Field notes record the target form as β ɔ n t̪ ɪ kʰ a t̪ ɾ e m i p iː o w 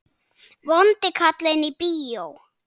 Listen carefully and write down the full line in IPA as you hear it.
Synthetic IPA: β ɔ n t̪ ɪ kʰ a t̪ l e n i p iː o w